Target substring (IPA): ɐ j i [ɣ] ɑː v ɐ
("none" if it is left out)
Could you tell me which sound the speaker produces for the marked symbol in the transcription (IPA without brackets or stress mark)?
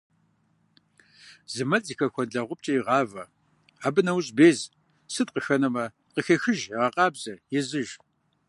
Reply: ʁ